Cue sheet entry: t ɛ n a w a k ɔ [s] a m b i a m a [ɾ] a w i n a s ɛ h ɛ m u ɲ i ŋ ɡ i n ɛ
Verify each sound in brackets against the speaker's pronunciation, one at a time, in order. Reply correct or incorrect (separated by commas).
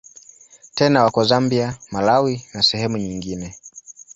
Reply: incorrect, incorrect